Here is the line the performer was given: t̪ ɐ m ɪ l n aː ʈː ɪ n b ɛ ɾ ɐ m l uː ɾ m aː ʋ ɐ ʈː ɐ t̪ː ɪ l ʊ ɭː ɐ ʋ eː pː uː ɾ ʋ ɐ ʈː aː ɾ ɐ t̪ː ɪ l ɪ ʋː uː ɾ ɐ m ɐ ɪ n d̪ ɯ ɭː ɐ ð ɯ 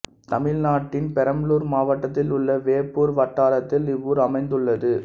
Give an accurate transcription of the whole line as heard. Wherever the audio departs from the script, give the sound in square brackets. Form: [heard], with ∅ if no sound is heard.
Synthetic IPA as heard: t̪ ɐ m ɪ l n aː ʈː ɪ n [p] ɛ ɾ ɐ m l uː ɾ m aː ʋ ɐ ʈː ɐ t̪ː ɪ l ʊ ɭː ɐ ʋ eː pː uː ɾ ʋ ɐ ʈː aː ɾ ɐ t̪ː ɪ l ɪ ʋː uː ɾ ɐ m ɐ ɪ n d̪ ɯ ɭː ɐ ð ɯ